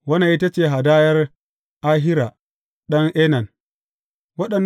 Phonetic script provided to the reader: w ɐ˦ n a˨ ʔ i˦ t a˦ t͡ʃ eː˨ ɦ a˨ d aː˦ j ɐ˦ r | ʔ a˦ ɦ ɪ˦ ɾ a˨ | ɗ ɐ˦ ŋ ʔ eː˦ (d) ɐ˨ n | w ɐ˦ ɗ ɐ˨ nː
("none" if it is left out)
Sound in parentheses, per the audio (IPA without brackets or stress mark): n